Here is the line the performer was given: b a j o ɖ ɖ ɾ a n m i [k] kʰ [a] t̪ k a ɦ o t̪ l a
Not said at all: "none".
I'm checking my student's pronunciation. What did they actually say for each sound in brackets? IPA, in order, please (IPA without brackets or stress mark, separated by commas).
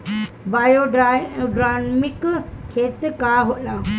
k, e